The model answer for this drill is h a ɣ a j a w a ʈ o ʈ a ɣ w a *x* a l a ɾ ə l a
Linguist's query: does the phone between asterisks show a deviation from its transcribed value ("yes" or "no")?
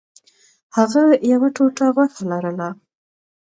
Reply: no